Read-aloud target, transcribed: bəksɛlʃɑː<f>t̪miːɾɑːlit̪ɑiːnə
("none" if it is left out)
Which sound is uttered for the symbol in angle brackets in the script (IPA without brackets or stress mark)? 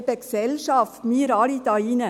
f